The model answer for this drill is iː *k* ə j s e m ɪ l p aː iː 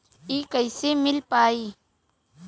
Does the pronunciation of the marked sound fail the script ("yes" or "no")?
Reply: no